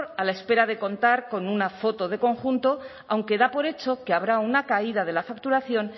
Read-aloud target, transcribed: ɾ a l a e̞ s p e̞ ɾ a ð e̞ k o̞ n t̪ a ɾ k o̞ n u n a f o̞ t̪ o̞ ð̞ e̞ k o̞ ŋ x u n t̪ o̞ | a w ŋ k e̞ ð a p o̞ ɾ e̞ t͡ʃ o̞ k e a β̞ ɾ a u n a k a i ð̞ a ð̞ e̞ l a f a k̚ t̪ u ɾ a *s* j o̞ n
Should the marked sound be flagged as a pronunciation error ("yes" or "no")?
yes